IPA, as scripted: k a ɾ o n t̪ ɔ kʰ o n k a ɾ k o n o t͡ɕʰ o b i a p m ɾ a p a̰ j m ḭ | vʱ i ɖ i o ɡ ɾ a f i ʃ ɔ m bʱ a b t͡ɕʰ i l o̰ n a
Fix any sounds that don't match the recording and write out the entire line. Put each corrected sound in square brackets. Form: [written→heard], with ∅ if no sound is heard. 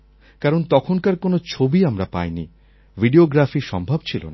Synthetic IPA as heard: k a ɾ o n t̪ ɔ kʰ o n k a ɾ k o n o t͡ɕʰ o b i a [p→∅] m ɾ a p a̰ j [m→n] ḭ | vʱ i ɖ i o ɡ ɾ a f i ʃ ɔ m bʱ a b t͡ɕʰ i l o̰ n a